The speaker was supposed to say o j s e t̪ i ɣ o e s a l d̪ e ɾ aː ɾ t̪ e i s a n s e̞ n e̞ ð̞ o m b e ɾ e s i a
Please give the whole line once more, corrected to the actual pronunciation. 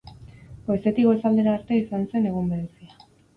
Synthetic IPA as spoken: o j s e t̪ i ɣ o e s a l d̪ e ɾ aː ɾ t̪ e i s a n s e̞ n e̞ ɣ̞ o m b e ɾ e s i a